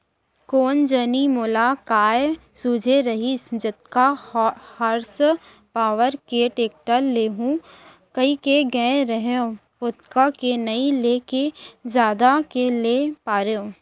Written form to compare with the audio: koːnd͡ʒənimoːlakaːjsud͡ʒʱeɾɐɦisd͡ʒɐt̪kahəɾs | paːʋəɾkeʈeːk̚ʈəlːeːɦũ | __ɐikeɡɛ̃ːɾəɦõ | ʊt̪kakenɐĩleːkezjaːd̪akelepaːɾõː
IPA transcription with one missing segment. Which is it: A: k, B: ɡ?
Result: A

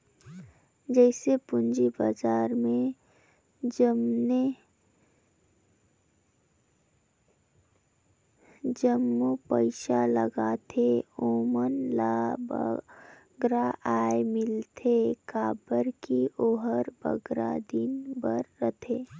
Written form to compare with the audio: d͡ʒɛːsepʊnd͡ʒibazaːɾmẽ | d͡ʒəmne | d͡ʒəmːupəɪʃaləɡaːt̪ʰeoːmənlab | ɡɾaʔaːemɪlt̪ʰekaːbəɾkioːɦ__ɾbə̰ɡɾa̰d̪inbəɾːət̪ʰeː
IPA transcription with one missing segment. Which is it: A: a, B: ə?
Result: B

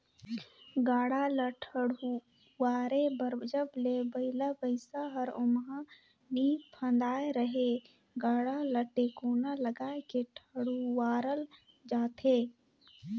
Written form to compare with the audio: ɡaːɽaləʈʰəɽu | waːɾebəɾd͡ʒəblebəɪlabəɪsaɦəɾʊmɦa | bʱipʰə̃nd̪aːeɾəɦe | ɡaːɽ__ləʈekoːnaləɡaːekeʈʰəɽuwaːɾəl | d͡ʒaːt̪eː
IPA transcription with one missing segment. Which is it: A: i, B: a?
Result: B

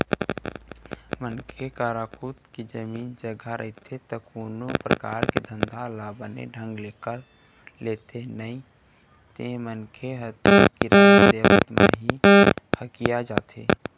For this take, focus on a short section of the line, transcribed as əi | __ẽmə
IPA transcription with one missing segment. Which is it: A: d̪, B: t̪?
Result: B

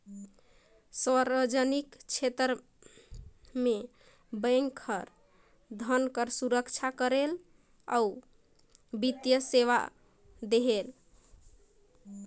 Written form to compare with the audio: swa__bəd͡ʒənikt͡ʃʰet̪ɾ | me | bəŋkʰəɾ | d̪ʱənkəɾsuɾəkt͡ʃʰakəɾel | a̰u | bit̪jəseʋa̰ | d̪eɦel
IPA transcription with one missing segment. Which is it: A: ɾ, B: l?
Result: A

